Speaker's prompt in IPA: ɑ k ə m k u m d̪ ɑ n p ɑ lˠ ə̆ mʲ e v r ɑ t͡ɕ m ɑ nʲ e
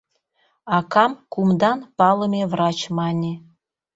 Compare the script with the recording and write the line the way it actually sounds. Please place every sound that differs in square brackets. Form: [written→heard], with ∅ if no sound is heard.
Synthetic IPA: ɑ k [ə→ɑ] m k u m d̪ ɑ n p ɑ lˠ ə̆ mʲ e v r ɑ t͡ɕ m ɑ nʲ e